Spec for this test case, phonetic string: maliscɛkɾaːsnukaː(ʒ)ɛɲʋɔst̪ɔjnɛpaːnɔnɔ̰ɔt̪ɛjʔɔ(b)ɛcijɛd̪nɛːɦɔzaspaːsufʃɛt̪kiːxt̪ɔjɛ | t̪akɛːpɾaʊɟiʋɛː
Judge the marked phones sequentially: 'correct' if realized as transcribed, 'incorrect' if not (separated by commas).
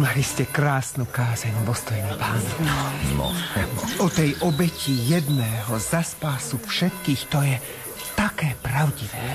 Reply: incorrect, correct